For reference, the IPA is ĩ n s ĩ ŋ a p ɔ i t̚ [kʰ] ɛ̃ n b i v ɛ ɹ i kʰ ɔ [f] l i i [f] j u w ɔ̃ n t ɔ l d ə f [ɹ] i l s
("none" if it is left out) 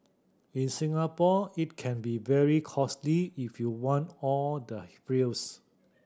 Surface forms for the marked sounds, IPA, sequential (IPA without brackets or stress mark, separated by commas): kʰ, s, f, ɹ